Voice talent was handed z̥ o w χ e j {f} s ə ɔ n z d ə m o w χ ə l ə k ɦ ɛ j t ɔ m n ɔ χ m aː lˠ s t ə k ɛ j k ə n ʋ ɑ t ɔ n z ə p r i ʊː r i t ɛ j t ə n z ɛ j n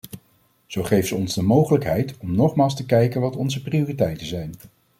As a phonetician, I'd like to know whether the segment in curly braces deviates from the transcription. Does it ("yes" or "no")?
no